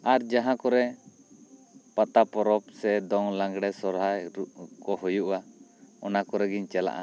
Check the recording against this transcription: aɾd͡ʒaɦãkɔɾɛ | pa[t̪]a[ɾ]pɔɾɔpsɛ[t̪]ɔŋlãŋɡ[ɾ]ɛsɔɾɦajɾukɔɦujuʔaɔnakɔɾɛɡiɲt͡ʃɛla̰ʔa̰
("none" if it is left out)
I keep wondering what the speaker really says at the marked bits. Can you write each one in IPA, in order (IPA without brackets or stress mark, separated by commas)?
t̪, none, d̪, ɽ